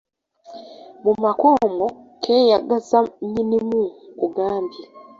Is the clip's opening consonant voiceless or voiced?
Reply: voiced